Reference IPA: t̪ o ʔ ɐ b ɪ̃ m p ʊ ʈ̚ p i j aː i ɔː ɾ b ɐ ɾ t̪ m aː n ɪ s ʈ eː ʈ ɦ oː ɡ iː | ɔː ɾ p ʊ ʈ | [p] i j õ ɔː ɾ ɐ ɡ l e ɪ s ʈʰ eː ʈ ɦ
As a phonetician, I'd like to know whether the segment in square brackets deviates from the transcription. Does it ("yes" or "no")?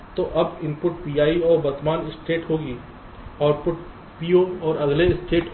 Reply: no